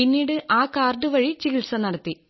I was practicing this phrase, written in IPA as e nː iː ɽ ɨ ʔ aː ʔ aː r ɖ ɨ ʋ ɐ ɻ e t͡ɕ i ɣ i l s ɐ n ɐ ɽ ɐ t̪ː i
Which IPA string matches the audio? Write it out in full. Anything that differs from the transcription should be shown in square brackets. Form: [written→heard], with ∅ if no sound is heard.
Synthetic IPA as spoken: [e→i] nː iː ɽ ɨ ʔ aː [ʔ→k] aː r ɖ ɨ ʋ ɐ ɻ [e→i] t͡ɕ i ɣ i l s ɐ n ɐ ɽ ɐ t̪ː i

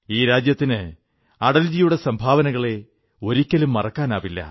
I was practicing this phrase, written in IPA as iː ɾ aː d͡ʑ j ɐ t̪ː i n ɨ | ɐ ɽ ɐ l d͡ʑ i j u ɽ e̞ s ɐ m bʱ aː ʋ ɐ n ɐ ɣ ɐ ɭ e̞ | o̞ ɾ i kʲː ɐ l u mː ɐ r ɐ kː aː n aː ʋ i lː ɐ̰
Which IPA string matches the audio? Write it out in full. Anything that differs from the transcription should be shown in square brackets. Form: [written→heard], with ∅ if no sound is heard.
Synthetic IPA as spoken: iː ɾ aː d͡ʑ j ɐ t̪ː i n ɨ | ɐ ɽ ɐ l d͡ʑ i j u ɽ e̞ s ɐ m bʱ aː ʋ ɐ n ɐ ɣ ɐ ɭ e̞ | o̞ ɾ i kʲː ɐ l u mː ɐ r ɐ kː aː n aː ʋ i lː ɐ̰

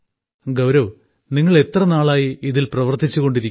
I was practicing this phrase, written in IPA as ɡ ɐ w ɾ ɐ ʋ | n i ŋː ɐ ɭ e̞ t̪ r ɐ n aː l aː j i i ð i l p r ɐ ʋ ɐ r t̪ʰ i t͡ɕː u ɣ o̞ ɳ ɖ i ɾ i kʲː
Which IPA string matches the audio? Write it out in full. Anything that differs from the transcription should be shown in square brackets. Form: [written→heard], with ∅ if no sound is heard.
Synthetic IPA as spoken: ɡ ɐ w ɾ ɐ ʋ | n i ŋː ɐ ɭ e̞ t̪ r ɐ n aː [l→ɭ] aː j i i ð i l p r ɐ ʋ ɐ r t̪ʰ i t͡ɕː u ɣ o̞ ɳ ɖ i ɾ i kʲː

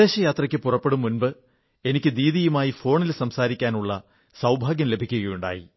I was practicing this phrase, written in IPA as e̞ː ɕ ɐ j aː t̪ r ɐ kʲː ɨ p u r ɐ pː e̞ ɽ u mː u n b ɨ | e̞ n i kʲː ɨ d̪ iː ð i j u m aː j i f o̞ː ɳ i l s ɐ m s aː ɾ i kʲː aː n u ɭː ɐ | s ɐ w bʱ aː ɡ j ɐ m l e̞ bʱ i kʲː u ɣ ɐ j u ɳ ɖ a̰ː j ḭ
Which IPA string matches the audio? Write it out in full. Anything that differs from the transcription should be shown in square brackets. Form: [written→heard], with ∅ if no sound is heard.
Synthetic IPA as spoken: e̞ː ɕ ɐ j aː t̪ r ɐ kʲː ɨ p u r ɐ pː e̞ ɽ u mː u n b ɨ | e̞ n i kʲː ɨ d̪ iː ð i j u m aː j i f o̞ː ɳ i l s ɐ m s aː ɾ i kʲː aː n u ɭː ɐ | s ɐ w bʱ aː ɡ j ɐ m l e̞ bʱ i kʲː u ɣ ɐ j u ɳ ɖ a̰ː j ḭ

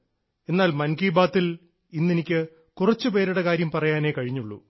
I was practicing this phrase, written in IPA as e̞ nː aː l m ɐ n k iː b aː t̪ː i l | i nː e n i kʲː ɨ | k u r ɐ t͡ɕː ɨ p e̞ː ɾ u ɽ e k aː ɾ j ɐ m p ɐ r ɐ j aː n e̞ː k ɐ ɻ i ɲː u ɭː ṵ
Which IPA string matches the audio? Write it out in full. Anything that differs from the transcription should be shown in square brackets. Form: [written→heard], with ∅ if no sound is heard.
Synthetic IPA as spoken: e̞ nː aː l m ɐ n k iː b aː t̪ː i l | i nː e n i kʲː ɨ | k u r ɐ t͡ɕː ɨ p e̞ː ɾ u ɽ e k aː ɾ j ɐ m p ɐ r ɐ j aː n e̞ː k ɐ ɻ i ɲː u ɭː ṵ

